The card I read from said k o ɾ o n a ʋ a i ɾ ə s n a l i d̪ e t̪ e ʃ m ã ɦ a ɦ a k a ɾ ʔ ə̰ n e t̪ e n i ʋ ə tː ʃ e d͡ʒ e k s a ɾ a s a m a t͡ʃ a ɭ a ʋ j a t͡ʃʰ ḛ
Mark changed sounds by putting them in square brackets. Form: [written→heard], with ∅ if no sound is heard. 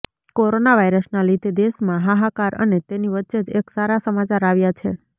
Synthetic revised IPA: k o ɾ o n a ʋ a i ɾ ə s n a l i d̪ e [t̪→d̪] e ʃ m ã ɦ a ɦ a k a ɾ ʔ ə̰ n e t̪ e n i ʋ ə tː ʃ e d͡ʒ e k s a ɾ a s [a→ə] m a t͡ʃ a [ɭ→ɾ] a ʋ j a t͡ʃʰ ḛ